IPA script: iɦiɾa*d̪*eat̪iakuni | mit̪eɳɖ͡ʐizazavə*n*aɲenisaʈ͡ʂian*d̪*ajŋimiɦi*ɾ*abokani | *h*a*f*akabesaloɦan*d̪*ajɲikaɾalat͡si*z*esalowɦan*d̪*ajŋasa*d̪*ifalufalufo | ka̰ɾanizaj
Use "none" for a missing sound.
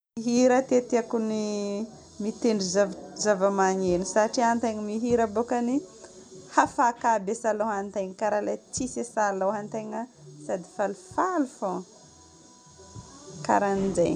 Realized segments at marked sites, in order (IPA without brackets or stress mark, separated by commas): t̪, m, t̪, ɾ, h, f, t̪, s, t̪, d̪